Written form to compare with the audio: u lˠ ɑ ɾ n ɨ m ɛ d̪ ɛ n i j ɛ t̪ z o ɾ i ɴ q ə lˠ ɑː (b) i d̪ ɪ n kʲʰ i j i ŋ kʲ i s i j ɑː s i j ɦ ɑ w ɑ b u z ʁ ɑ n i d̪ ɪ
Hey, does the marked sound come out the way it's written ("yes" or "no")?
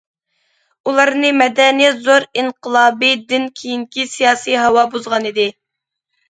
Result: yes